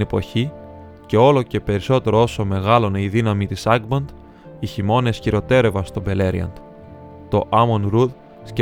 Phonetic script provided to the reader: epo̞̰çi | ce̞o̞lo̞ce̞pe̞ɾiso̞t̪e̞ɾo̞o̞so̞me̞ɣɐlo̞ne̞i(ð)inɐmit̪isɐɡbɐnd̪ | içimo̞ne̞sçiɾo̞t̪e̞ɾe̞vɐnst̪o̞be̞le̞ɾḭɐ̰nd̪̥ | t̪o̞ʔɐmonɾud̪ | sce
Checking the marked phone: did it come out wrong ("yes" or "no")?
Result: no